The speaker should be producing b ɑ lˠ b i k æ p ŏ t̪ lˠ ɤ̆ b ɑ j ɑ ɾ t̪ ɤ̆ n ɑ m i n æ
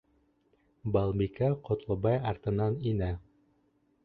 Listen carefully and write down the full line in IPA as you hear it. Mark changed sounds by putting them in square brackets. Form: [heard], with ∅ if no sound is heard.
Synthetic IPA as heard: b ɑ lˠ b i k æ [q] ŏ t̪ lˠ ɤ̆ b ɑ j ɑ ɾ t̪ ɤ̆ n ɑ [n] i n æ